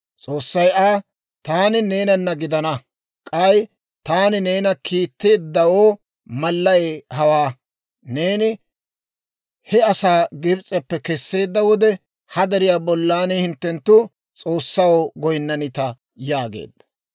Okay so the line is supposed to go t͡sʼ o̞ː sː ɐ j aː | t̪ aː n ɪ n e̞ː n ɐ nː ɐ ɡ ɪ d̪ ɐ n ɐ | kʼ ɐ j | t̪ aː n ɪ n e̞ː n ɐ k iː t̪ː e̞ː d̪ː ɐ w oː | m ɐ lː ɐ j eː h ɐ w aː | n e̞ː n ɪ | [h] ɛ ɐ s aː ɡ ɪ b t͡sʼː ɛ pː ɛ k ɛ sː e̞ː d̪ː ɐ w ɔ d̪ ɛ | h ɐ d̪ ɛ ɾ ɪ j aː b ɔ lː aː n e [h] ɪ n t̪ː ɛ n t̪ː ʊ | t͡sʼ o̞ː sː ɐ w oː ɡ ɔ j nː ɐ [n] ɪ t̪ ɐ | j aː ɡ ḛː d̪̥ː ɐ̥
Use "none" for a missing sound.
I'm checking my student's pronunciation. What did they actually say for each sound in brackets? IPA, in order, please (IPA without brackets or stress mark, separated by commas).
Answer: h, h, n